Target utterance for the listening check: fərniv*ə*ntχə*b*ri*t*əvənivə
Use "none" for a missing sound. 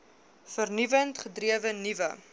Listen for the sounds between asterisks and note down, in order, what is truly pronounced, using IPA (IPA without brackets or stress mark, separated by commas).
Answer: ə, d, none